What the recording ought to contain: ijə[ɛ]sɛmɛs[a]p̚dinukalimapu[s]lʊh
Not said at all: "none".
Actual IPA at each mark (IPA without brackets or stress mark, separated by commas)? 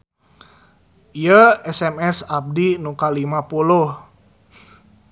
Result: ɛ, a, none